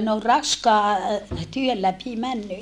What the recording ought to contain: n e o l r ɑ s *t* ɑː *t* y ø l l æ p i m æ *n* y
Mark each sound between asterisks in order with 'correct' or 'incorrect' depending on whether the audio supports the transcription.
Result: incorrect: k, correct, incorrect: nː

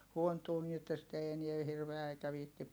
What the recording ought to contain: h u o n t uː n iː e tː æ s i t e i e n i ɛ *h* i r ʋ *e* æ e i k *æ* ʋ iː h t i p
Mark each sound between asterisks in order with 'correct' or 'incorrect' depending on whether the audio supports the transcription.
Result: correct, correct, correct

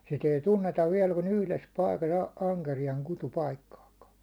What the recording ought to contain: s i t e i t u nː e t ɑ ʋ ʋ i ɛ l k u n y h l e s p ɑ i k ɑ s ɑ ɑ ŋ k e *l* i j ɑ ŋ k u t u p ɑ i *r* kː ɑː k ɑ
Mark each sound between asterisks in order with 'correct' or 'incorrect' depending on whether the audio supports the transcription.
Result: incorrect: r, incorrect: none

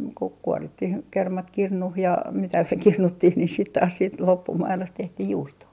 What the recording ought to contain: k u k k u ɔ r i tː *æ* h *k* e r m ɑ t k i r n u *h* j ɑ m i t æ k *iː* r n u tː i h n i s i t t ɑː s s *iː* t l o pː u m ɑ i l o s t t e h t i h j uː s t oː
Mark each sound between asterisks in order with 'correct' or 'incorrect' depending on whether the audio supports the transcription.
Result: incorrect: i, correct, correct, incorrect: i, correct

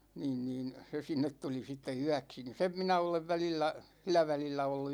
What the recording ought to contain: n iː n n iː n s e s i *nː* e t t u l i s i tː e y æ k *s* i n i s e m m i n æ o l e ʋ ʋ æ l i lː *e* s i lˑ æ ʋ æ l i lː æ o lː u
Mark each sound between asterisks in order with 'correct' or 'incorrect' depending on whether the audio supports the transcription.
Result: correct, correct, incorrect: æ

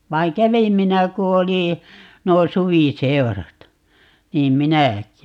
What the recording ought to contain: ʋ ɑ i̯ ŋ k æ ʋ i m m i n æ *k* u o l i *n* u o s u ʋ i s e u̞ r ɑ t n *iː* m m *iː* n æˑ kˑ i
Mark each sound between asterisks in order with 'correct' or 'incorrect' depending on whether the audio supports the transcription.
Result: correct, correct, correct, incorrect: i

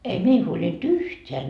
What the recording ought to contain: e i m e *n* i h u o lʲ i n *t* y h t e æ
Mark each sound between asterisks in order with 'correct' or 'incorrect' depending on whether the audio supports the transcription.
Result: incorrect: none, correct

